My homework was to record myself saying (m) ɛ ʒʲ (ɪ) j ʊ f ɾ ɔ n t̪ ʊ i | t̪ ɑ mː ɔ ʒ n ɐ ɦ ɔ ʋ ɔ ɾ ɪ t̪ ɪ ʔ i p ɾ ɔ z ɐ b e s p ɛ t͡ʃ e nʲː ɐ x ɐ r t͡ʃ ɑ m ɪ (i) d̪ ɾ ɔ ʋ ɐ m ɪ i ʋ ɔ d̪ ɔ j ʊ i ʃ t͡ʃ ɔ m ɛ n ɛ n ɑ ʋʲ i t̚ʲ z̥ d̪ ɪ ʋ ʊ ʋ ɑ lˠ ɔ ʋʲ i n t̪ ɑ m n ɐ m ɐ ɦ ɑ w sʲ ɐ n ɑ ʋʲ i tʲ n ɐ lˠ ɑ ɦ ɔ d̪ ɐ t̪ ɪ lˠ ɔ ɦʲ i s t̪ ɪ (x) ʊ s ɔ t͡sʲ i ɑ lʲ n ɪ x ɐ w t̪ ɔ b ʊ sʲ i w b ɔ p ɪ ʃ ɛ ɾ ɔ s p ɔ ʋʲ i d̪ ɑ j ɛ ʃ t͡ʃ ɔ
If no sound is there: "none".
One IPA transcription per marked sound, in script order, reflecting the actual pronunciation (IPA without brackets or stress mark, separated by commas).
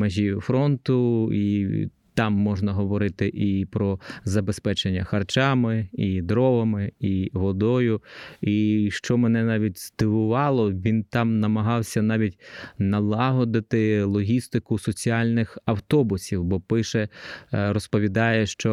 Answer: m, i, i, k